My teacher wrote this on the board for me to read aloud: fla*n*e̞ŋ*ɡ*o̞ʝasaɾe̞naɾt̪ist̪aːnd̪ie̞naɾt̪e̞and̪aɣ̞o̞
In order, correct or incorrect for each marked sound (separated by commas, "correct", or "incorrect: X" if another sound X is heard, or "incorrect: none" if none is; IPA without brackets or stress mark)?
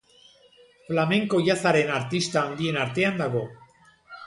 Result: incorrect: m, incorrect: k